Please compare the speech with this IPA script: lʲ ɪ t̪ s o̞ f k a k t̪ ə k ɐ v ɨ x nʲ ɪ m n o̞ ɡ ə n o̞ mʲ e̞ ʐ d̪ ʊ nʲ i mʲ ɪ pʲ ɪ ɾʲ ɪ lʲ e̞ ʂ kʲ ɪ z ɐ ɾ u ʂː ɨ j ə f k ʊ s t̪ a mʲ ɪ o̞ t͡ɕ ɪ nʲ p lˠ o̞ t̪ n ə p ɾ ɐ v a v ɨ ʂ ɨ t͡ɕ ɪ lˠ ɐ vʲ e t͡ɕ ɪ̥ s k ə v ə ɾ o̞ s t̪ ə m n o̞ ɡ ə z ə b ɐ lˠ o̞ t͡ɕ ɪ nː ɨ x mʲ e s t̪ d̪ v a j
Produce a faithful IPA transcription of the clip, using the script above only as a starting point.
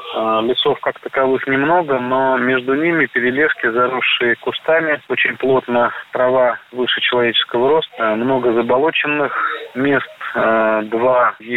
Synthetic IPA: lʲ ɪ t̪ s o̞ f k a k t̪ ə k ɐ v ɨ x nʲ ɪ m n o̞ ɡ ə n o̞ mʲ e̞ ʐ d̪ ʊ nʲ i mʲ ɪ pʲ ɪ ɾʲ ɪ lʲ e̞ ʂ kʲ ɪ z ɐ ɾ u ʂː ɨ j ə k ʊ s t̪ a mʲ ɪ o̞ t͡ɕ ɪ nʲ p lˠ o̞ t̪ n ə p ɾ ɐ v a v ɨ ʂ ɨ t͡ɕ ɪ lˠ ɐ vʲ e t͡ɕ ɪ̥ s k ə v ə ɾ o̞ s t̪ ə m n o̞ ɡ ə z ə b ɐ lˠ o̞ t͡ɕ ɪ nː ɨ x mʲ e s t̪ d̪ v a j